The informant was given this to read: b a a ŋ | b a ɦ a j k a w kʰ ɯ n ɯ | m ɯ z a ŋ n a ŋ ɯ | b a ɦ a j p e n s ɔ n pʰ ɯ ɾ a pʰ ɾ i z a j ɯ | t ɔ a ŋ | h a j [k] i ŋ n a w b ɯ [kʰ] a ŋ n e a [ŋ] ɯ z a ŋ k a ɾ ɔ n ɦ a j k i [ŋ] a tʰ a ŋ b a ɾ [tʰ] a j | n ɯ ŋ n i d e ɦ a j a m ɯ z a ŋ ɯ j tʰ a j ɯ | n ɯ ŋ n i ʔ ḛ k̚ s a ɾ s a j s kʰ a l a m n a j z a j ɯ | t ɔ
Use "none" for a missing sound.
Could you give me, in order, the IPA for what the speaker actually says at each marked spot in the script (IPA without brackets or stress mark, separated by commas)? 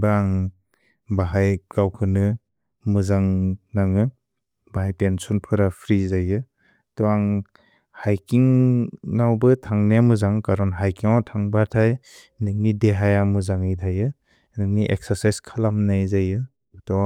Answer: k, tʰ, m, ŋ, tʰ